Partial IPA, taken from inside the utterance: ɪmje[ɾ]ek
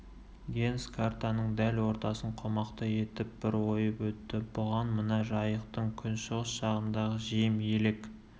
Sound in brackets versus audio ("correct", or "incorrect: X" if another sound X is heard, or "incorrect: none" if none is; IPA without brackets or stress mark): incorrect: l